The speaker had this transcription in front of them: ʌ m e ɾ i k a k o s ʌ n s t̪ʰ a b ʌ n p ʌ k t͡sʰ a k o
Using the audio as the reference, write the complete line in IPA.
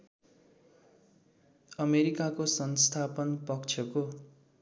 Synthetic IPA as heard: ʌ m e ɾ i k a k o s ʌ n s t̪ʰ a p ʌ n p ʌ k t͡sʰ ʌ k o